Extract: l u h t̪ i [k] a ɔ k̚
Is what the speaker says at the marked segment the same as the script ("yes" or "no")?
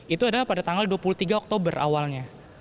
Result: no